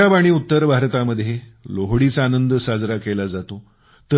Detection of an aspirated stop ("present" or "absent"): absent